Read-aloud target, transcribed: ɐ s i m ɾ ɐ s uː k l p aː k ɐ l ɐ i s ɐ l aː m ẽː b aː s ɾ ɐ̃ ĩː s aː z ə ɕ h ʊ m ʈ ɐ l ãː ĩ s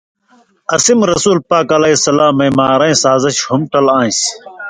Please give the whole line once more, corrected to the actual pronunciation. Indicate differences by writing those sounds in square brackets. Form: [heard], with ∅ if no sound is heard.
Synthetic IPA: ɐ s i m ɾ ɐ s uː [∅] l p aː k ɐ l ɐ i s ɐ l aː m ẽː [m] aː [∅] ɾ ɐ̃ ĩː s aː z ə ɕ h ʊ m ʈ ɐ l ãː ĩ s